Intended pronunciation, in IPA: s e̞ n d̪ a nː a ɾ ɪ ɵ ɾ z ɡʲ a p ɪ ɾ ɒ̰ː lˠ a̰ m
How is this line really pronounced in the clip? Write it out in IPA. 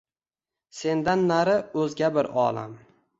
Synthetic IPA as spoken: s e̞ n d̪ a nː a ɾ ɪ ɵ z ɡʲ a b ɪ ɾ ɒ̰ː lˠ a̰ m